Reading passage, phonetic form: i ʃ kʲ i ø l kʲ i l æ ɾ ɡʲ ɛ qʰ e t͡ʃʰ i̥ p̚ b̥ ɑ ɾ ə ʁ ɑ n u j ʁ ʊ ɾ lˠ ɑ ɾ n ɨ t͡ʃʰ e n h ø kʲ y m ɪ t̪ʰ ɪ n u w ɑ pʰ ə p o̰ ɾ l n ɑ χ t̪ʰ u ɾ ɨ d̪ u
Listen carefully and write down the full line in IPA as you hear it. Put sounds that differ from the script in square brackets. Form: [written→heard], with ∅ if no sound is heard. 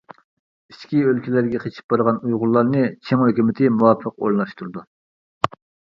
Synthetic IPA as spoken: i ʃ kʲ i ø l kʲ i l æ ɾ ɡʲ ɛ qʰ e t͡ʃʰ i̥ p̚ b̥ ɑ ɾ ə ʁ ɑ n u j ʁ ʊ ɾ lˠ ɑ ɾ n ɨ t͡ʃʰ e [n→ŋ] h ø kʲ y m ɪ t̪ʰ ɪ [n→m] u w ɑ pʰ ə [p→q] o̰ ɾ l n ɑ [χ→ʃ] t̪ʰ u ɾ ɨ d̪ u

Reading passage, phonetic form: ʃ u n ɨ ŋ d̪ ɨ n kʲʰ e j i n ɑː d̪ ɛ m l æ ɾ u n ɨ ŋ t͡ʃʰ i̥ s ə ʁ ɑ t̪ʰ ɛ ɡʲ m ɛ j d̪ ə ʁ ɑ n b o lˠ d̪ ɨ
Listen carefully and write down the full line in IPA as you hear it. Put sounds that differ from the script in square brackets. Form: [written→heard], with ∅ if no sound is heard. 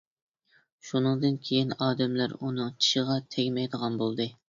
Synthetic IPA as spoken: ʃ u n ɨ ŋ d̪ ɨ n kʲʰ e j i n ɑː d̪ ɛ m l æ ɾ u n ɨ ŋ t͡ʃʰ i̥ [s→ʃ] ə ʁ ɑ t̪ʰ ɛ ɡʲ m ɛ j d̪ ə ʁ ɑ n b o lˠ d̪ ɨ

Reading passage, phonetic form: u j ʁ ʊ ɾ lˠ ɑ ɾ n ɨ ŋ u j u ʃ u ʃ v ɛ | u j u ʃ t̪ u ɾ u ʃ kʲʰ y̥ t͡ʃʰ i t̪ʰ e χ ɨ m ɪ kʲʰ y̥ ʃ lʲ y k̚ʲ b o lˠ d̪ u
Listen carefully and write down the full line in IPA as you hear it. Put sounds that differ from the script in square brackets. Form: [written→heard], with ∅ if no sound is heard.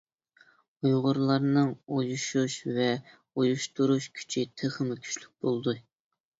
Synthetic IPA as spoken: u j ʁ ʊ ɾ lˠ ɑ ɾ n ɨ ŋ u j u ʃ u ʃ v ɛ | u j u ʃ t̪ u ɾ u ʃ kʲʰ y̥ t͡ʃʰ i t̪ʰ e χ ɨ m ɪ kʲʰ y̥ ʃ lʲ y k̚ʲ b o lˠ d̪ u

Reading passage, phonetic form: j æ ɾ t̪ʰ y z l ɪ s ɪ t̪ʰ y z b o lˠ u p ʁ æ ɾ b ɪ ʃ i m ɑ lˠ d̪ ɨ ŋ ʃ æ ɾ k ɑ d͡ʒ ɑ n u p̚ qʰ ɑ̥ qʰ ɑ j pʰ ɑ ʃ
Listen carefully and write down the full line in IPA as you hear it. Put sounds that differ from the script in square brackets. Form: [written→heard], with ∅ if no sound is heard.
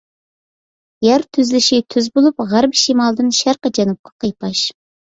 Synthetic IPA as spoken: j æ ɾ t̪ʰ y z l ɪ [s→ʃ] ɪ t̪ʰ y z b o lˠ u p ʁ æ ɾ b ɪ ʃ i m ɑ lˠ d̪ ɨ [ŋ→n] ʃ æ ɾ [k→q] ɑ d͡ʒ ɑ n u p̚ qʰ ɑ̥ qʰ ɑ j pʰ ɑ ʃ

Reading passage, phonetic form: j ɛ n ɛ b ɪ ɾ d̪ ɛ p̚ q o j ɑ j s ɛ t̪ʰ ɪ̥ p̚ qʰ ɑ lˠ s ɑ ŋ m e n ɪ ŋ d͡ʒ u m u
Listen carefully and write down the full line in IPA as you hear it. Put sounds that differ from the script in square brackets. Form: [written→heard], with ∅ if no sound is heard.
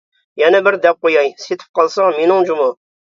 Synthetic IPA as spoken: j ɛ n ɛ b ɪ ɾ d̪ ɛ p̚ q o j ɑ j s [ɛ→e] t̪ʰ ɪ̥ p̚ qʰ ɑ lˠ s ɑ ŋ m e n ɪ ŋ d͡ʒ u m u

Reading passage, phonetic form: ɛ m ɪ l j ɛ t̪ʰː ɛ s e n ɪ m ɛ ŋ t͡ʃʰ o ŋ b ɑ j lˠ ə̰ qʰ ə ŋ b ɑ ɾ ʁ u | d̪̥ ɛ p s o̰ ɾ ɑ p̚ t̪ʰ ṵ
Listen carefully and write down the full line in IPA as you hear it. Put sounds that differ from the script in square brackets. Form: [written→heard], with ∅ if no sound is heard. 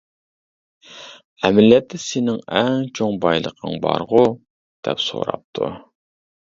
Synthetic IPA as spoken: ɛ m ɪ l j ɛ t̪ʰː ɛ s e n ɪ [m→ŋ] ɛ ŋ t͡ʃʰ o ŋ b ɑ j lˠ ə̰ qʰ ə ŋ b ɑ ɾ ʁ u | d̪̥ ɛ p s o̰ ɾ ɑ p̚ t̪ʰ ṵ

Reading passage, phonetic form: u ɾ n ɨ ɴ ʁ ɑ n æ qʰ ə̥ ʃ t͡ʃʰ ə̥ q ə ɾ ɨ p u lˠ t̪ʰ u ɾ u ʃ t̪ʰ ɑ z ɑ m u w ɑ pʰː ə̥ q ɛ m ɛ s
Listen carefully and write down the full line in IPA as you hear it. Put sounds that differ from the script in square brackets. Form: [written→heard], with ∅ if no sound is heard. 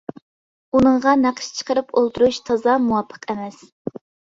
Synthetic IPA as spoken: u [ɾ→∅] n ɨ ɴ ʁ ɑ n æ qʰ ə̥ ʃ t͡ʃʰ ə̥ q ə ɾ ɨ p [u→o] lˠ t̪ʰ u ɾ u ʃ t̪ʰ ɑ z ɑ m u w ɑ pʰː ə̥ q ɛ m ɛ s

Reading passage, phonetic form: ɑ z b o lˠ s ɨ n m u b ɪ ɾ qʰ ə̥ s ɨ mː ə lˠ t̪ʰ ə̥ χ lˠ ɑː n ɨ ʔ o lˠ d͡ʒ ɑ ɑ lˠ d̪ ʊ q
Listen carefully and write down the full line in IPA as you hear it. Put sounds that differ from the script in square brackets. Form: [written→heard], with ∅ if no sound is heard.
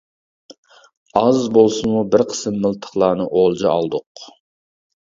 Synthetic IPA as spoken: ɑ z b o lˠ s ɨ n m u b ɪ ɾ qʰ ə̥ s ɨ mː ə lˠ t̪ʰ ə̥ χ lˠ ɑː n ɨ ʔ o lˠ d͡ʒ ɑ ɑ lˠ d̪ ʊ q

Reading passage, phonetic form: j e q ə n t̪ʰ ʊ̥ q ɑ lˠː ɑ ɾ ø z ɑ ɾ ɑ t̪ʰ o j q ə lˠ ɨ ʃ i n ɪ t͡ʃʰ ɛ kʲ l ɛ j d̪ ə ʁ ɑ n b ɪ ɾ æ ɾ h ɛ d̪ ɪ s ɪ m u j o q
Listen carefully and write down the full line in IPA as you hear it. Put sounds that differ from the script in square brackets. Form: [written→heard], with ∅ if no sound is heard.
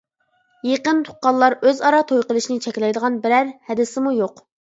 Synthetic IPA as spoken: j e q ə n t̪ʰ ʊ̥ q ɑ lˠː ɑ ɾ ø z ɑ ɾ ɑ t̪ʰ o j q ə lˠ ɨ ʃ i n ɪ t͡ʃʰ ɛ kʲ l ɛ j d̪ ə ʁ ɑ n b ɪ ɾ æ ɾ h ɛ d̪ ɪ s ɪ m u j o q

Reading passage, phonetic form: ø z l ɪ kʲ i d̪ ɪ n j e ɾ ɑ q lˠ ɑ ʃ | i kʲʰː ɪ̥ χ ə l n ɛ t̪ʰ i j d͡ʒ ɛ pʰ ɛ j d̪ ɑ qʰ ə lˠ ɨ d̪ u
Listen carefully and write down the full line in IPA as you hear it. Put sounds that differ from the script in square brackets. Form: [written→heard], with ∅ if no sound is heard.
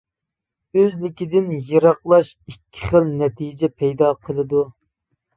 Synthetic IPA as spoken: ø z l ɪ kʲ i d̪ ɪ n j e ɾ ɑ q lˠ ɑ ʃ | i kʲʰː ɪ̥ χ ə l n ɛ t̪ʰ i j d͡ʒ ɛ pʰ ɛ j d̪ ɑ qʰ ə lˠ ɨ d̪ u

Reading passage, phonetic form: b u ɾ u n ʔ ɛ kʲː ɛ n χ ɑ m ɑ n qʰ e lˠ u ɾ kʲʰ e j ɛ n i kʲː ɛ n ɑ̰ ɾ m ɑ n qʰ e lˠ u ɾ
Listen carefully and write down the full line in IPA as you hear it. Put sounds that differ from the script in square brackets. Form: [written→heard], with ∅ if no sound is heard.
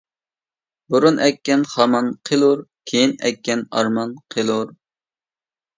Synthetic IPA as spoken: b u ɾ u n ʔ ɛ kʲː ɛ n χ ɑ m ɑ n qʰ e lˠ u ɾ kʲʰ e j [ɛ→i] n [i→ɛ] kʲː ɛ n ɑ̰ ɾ m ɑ n qʰ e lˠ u ɾ

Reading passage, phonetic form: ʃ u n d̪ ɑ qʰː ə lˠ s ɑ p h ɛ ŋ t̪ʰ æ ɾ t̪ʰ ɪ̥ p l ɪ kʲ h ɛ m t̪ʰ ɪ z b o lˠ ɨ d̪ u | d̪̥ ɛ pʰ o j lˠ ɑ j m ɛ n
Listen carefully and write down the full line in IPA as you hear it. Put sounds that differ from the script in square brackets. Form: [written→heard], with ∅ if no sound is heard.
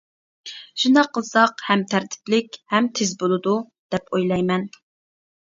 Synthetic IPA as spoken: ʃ u n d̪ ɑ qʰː ə lˠ s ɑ [p→q] h ɛ [ŋ→m] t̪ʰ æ ɾ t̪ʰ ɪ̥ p l ɪ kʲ h ɛ m t̪ʰ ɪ z b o lˠ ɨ d̪ u | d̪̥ ɛ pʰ o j lˠ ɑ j m ɛ n

